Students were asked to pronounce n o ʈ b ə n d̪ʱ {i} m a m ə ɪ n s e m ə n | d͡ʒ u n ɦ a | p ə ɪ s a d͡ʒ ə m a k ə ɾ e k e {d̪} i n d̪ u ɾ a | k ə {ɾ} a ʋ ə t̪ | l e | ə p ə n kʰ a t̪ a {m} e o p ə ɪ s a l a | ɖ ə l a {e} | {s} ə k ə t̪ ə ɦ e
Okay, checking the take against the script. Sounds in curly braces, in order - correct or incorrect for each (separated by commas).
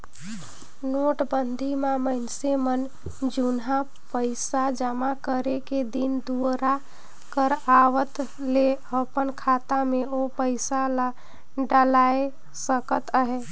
correct, correct, correct, correct, correct, correct